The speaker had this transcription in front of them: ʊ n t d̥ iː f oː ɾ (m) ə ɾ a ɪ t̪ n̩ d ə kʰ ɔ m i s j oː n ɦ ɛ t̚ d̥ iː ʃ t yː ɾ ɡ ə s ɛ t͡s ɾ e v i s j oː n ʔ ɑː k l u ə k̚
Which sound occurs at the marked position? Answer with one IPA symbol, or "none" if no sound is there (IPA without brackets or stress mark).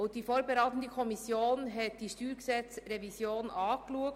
b